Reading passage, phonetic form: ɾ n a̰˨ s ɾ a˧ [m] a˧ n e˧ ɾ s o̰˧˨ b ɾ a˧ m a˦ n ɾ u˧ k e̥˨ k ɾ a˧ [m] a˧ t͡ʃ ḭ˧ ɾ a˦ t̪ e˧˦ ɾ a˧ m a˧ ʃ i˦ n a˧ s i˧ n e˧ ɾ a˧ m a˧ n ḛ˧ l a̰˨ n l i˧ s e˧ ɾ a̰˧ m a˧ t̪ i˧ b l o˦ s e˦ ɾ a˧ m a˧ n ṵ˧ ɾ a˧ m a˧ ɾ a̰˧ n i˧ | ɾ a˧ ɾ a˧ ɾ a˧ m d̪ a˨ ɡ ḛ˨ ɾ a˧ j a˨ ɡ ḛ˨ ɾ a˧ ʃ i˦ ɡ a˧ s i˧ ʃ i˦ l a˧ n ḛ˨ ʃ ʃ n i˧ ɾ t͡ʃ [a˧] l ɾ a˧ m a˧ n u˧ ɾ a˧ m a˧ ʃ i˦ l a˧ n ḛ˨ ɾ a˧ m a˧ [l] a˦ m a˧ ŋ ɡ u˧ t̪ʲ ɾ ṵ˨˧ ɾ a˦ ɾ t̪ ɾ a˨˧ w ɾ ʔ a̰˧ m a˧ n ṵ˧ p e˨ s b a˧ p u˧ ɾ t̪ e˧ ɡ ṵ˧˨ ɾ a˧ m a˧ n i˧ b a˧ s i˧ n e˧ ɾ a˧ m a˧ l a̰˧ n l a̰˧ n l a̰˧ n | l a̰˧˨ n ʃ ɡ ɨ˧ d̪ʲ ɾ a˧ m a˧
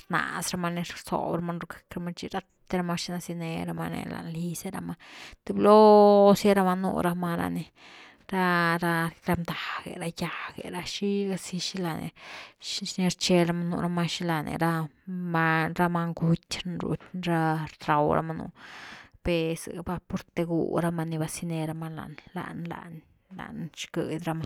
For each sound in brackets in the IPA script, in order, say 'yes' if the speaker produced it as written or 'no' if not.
yes, yes, no, no

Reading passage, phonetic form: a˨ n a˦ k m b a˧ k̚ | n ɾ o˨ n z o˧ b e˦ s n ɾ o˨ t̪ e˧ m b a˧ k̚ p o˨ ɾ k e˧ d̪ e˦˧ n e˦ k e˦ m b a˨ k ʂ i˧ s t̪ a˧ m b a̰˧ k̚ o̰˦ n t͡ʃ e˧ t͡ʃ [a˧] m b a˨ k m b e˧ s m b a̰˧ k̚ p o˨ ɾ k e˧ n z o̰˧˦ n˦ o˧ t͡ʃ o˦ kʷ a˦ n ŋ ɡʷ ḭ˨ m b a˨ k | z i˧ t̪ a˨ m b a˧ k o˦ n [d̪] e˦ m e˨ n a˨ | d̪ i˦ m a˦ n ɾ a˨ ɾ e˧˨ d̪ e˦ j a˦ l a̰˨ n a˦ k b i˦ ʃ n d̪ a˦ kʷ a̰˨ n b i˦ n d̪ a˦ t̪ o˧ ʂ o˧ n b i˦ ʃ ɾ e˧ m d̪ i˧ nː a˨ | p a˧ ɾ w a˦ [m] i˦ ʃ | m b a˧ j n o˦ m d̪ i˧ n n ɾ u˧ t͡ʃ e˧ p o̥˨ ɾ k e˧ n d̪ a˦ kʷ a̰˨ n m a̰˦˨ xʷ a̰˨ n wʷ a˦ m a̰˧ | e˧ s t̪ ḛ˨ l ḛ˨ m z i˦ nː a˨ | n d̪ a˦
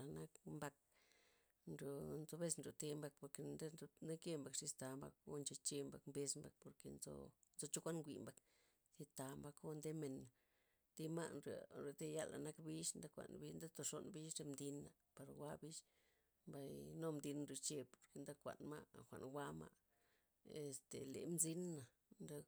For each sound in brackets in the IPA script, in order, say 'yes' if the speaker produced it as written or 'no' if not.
no, yes, no

